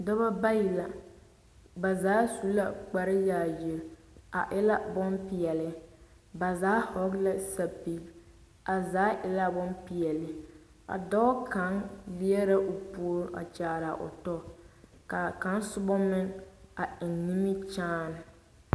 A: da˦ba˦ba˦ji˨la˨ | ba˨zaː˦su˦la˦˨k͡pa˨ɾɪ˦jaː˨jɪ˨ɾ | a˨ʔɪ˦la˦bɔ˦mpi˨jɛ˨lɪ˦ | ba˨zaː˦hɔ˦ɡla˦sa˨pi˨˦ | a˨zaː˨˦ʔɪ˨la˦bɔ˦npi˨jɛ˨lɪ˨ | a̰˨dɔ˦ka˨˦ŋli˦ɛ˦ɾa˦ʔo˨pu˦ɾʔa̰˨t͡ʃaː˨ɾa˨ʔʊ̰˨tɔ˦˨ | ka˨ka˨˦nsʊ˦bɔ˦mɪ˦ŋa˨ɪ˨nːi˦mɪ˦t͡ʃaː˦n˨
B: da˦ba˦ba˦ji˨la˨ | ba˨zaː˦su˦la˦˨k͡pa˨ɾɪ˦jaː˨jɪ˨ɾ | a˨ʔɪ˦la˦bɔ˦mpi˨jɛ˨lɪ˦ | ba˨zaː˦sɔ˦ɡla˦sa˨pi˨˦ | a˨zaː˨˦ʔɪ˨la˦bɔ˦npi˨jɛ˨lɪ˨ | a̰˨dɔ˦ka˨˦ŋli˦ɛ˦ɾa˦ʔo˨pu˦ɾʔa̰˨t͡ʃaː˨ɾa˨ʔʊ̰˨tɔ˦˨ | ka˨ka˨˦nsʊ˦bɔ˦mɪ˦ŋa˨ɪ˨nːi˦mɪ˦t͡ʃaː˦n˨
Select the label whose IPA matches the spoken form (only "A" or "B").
A